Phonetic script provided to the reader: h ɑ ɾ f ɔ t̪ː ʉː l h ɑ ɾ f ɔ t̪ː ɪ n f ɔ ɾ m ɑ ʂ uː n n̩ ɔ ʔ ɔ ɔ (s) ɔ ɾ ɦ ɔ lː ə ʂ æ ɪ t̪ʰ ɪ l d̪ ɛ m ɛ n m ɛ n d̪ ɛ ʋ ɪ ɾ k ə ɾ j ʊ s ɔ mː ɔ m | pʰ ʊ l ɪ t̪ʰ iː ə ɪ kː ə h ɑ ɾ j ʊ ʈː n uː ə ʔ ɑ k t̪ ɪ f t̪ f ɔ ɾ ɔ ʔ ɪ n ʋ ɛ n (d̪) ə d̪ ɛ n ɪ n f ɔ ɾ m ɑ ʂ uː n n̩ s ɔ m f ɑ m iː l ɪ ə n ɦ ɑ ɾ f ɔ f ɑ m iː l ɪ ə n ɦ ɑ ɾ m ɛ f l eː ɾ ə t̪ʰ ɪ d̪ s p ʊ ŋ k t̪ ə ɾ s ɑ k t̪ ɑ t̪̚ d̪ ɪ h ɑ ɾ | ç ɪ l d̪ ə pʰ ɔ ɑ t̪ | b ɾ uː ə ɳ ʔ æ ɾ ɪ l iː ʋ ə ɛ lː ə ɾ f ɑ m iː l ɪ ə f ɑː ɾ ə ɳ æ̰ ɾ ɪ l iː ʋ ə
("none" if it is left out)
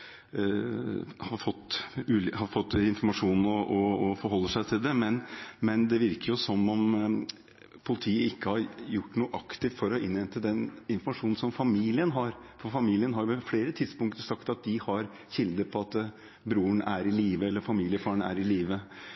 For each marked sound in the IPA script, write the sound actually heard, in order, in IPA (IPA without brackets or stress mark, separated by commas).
f, t̪